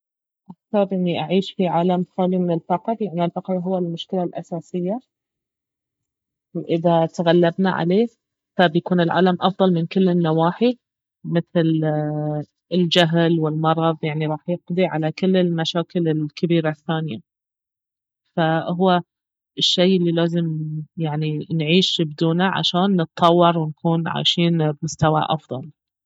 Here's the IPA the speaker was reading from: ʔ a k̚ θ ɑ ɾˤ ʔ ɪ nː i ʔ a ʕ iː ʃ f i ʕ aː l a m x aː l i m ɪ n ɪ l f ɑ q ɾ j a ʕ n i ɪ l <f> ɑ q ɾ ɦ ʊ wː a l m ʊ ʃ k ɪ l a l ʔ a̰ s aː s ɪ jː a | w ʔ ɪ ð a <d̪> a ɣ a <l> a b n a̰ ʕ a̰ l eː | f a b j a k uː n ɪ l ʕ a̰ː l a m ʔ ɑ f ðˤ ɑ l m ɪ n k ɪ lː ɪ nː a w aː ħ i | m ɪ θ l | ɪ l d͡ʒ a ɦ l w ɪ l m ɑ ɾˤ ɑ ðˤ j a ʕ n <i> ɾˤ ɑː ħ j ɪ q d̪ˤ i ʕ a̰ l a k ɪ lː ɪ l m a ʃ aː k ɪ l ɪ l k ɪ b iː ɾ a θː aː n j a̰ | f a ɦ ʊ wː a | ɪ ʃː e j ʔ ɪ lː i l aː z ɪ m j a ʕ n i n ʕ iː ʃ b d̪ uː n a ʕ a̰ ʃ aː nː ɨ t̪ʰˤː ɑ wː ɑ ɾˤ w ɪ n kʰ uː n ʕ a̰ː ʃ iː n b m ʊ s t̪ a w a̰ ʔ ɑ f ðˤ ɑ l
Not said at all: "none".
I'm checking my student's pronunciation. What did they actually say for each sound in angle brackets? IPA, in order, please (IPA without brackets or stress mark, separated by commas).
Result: f, t̪, lː, i